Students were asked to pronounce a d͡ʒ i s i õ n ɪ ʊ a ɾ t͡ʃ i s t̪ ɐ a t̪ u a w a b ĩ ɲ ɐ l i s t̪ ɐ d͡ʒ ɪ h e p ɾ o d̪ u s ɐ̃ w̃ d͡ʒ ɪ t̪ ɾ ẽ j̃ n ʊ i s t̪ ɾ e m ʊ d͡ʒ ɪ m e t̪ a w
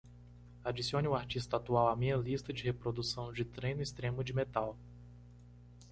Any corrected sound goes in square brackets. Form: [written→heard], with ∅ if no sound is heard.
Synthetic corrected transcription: a d͡ʒ i s i õ n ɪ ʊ a ɾ t͡ʃ i s t̪ ɐ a t̪ u a w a [b→m] ĩ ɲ ɐ l i s t̪ ɐ d͡ʒ ɪ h e p ɾ o d̪ u s ɐ̃ w̃ d͡ʒ ɪ t̪ ɾ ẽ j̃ n ʊ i s t̪ ɾ [e→ẽ] m ʊ d͡ʒ ɪ m e t̪ a w